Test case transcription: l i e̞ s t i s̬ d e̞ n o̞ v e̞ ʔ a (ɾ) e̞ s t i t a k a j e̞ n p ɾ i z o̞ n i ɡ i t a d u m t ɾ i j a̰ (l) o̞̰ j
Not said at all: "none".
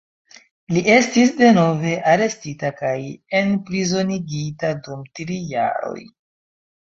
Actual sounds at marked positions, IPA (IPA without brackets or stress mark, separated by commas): ɾ, ɾ